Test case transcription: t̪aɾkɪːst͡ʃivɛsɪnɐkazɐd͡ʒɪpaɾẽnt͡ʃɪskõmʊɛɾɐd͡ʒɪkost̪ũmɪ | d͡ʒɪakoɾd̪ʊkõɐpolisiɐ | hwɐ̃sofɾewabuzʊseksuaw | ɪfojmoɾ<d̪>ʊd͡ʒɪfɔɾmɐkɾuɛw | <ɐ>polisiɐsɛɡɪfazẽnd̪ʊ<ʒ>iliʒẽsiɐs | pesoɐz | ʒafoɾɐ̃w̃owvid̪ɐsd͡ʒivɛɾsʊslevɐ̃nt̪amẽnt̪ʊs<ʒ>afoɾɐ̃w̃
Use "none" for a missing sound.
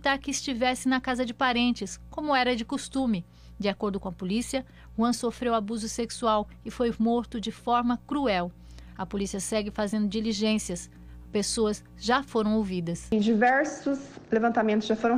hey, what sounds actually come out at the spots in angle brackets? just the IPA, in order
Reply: t̪, ɐ, d͡ʒ, ʒ

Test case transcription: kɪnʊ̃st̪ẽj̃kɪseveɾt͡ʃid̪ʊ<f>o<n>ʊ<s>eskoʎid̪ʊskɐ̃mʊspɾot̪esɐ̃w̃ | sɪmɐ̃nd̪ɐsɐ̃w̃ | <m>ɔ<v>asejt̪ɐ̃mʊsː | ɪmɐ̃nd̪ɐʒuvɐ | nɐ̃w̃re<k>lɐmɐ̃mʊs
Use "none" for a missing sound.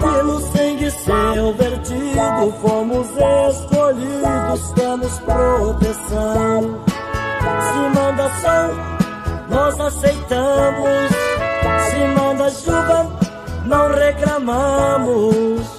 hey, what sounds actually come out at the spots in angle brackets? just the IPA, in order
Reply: f, m, z, n, z, k

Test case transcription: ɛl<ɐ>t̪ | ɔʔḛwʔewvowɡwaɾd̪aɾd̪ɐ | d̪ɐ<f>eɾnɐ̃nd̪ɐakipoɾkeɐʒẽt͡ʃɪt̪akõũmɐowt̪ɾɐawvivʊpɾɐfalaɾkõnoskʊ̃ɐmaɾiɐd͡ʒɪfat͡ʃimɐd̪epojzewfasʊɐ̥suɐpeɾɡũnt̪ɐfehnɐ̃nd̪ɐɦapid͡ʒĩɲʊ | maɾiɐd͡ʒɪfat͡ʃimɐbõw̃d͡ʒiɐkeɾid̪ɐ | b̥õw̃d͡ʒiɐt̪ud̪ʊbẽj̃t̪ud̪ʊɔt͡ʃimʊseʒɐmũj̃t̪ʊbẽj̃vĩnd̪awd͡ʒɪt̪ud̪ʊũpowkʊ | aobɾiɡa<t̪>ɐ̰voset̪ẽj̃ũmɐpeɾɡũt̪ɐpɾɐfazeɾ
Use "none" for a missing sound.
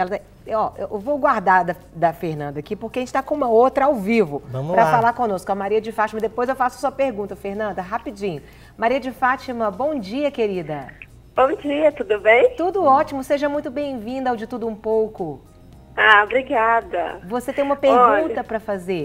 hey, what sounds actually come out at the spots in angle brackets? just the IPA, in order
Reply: ɐ, f, d̪

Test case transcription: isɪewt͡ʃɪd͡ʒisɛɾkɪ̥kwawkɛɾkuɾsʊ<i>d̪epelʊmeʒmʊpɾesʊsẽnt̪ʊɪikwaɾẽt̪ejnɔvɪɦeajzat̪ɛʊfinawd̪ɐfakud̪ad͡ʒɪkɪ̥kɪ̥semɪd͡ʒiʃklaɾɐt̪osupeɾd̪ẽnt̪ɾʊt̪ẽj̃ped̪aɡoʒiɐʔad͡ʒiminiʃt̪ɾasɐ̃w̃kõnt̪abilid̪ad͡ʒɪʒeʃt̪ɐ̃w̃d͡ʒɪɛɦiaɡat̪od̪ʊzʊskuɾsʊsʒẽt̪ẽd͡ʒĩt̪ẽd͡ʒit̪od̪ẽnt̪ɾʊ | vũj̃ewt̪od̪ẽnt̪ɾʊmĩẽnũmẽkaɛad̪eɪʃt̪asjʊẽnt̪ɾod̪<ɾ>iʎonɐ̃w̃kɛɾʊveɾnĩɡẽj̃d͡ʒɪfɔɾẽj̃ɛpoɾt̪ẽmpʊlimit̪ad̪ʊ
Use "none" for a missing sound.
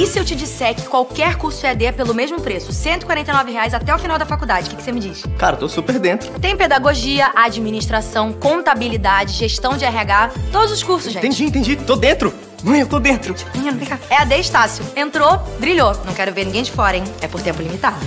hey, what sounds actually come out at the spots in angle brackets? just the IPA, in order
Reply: ɛ, ɾ

